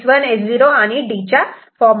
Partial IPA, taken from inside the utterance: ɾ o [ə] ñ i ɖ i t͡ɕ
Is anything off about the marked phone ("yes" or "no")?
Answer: yes